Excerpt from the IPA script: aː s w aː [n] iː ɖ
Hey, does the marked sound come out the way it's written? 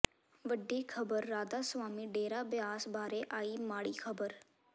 no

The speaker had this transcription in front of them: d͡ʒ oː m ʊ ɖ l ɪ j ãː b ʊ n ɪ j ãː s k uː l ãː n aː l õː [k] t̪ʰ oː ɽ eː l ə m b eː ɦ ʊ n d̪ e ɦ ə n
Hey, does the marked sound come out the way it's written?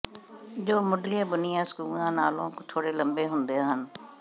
yes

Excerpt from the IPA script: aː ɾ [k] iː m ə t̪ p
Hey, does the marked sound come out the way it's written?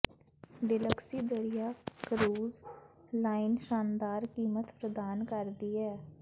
yes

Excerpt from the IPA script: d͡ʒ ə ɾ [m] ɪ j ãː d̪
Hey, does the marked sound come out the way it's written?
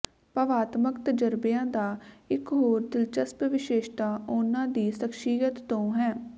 no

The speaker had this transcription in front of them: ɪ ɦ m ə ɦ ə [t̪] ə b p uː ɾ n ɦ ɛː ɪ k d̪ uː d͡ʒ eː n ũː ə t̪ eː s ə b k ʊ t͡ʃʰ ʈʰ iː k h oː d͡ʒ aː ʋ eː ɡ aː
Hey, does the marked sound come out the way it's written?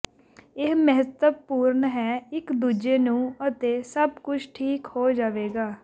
yes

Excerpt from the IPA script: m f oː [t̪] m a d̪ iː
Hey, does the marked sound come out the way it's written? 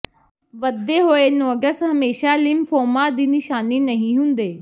no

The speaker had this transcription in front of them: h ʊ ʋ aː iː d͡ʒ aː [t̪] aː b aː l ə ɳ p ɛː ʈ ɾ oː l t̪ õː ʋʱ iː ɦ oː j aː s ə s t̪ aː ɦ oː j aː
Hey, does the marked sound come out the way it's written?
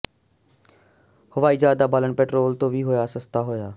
no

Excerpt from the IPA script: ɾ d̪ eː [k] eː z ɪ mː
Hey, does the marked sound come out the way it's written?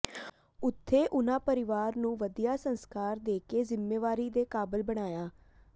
yes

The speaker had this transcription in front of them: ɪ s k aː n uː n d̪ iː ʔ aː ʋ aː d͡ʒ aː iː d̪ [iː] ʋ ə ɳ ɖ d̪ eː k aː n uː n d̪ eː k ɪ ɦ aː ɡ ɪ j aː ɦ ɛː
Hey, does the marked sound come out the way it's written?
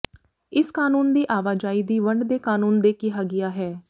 yes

